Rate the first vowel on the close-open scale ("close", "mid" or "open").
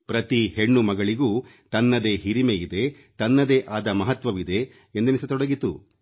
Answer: open